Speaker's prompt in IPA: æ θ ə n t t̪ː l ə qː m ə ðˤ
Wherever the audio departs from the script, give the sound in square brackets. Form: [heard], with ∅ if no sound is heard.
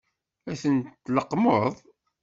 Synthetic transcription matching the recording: æ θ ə n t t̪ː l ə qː m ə ðˤ